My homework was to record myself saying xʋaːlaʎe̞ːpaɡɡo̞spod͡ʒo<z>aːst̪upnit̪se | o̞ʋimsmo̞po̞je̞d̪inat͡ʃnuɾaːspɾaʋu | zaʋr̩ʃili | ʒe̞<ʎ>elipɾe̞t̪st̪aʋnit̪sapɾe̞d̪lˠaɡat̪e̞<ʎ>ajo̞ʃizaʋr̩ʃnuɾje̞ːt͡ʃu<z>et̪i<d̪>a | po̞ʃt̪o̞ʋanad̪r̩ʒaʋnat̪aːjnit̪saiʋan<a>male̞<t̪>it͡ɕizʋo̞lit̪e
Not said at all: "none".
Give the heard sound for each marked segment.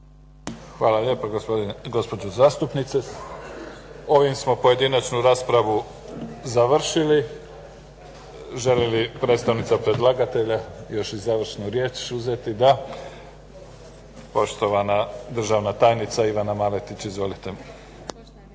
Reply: z, l, ʎ, z, d̪, a, t̪

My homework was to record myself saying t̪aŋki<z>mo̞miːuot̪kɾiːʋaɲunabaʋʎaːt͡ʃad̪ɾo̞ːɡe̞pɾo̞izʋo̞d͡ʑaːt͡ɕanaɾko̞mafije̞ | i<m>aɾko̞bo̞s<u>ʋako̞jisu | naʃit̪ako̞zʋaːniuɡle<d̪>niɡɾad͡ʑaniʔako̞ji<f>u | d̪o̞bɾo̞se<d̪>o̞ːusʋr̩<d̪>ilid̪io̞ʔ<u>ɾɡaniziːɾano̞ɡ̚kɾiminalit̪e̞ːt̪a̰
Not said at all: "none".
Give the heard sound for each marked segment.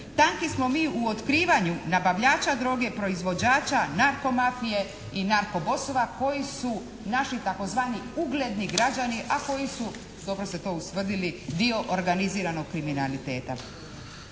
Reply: s, n, o, d̪, s, t̪, d̪, o

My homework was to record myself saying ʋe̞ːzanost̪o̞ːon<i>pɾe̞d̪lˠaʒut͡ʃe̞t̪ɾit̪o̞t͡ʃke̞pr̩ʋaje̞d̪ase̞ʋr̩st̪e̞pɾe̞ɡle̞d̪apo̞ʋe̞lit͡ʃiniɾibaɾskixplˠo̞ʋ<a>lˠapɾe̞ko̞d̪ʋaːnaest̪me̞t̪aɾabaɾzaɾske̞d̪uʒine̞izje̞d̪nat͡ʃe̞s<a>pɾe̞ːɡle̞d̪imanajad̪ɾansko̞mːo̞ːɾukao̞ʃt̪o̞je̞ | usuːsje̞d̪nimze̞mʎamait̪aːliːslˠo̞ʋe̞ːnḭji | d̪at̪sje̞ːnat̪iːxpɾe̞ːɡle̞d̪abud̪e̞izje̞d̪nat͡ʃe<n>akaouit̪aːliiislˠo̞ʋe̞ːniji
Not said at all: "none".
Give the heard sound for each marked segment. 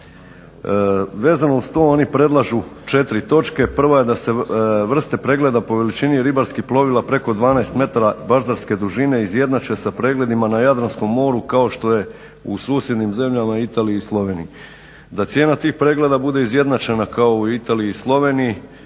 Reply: i, i, a, n

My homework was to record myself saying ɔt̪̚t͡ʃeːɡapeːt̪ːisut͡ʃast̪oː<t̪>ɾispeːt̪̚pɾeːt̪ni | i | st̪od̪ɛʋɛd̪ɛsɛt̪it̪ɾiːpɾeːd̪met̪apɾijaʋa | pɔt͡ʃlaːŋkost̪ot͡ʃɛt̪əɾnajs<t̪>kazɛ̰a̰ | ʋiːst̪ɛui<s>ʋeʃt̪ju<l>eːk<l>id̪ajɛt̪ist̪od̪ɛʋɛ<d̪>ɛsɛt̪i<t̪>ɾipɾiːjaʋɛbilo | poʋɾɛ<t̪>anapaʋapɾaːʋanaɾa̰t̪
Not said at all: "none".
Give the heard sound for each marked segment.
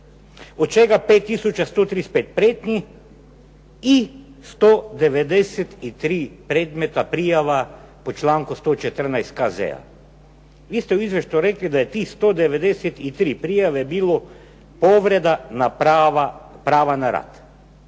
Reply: t̪, t̪, z, ɾ, l, d̪, t̪, d̪

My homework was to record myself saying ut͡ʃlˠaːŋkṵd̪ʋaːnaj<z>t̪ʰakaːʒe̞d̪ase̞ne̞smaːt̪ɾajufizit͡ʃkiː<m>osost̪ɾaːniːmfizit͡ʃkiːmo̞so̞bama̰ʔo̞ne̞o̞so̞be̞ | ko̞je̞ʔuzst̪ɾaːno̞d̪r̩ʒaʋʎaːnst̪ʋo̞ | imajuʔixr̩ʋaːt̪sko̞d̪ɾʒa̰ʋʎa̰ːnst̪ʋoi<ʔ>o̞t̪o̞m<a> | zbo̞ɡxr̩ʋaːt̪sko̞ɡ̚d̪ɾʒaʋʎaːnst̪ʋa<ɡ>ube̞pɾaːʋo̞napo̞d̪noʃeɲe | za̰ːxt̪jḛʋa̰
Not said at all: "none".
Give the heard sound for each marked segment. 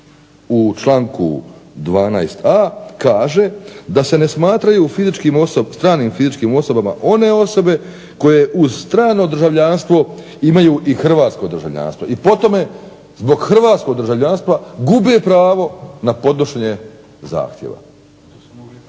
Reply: s, m, p, e, ɡ

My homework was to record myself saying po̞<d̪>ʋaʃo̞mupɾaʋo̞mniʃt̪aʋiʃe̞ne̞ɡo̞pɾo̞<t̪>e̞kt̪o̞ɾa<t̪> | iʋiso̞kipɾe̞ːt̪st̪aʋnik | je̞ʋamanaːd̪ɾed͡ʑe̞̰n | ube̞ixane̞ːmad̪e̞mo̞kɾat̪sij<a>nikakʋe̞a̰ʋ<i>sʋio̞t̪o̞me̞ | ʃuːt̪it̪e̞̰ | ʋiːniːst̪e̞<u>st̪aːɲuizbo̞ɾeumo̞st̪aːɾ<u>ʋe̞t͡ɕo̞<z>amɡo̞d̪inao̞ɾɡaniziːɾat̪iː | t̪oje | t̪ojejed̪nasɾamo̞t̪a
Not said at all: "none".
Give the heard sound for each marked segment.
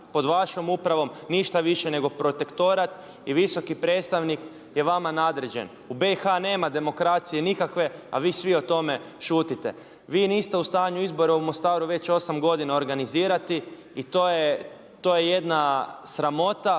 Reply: d̪, t̪, t̪, e, iː, u, u, s

